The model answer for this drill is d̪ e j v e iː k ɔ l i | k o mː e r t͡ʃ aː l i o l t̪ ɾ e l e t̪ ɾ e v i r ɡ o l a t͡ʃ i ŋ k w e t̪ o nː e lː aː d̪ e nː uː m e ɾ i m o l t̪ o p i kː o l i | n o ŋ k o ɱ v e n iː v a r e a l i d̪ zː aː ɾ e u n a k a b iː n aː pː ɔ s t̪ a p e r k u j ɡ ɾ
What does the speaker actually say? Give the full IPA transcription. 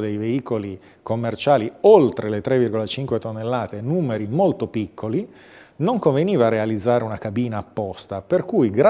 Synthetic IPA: d̪ e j v e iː k o l i | k o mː e r t͡ʃ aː l i o l t̪ ɾ e l e t̪ ɾ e v i r ɡ o l a t͡ʃ i ŋ k w e t̪ o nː e lː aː t̪ e n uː m e ɾ i m o l t̪ o p i kː o l i | n o ŋ k o ɱ v e n iː v a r e a l i d̪ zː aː ɾ e u n a k a b iː n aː pː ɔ s t̪ a p e r k u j ɡ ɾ

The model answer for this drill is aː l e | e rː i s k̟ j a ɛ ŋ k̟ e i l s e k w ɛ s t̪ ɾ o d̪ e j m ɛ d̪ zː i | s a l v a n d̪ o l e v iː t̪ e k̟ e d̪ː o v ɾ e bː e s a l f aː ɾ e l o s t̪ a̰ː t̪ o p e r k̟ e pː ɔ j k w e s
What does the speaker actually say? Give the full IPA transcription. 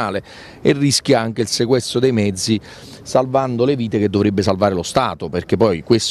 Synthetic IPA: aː l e | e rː i s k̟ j a a ŋ k̟ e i l s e k w ɛ s t̪ ɾ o d̪ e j m ɛ d̪ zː i | s a l v a n d̪ o l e v iː t̪ e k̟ e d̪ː o v ɾ e bː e s a l v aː ɾ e l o s t̪ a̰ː t̪ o p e r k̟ e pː ɔ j k w e s

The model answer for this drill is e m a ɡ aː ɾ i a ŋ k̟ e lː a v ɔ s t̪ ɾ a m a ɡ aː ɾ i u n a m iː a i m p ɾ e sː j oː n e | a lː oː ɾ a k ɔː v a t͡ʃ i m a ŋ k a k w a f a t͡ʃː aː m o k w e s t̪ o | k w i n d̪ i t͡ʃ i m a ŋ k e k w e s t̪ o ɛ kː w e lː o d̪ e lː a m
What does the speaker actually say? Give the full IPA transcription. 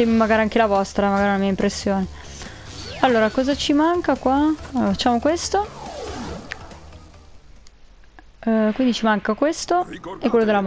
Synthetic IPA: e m a ɡ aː ɾ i a ŋ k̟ e l a v ɔ s t̪ ɾ a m a ɡ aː ɾ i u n a m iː a i m p ɾ e sː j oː n e | a lː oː ɾ a k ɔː z a t͡ʃ i m a ŋ k a k w a f a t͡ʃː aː m o k w e s t̪ o | k w i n d̪ i t͡ʃ i m a ŋ k a k w e s t̪ o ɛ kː w e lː o d̪ e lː a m

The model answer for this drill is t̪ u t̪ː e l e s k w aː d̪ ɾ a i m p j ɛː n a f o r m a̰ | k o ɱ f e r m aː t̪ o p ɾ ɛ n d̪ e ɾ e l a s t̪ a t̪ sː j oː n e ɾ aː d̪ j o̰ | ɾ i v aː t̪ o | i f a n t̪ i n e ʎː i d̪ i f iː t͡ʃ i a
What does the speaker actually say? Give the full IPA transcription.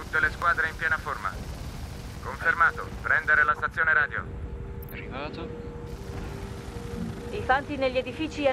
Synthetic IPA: t̪ u t̪ː e l e s k w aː d̪ ɾ e i m p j ɛː n a f o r m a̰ | k o ɱ f e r m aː t̪ o p ɾ ɛ n d̪ e ɾ e l a s t̪ a t̪ sː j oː n e ɾ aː d̪ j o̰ | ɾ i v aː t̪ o | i f a n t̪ i n e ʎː e d̪ i f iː t͡ʃ i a

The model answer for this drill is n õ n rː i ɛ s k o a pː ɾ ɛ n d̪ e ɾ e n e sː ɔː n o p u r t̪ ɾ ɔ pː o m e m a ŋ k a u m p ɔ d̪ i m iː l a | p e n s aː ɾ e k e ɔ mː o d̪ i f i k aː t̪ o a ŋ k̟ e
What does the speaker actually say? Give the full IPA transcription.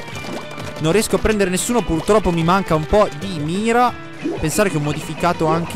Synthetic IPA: n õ n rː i ɛ s k o a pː ɾ ɛ n d̪ e ɾ e n e sː uː n o p u r t̪ ɾ ɔ pː o m i m a ŋ k a u m p ɔ d̪ i m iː ɾ a | p e n s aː ɾ e k e ɔ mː o d̪ i f i k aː t̪ o a ŋ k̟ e

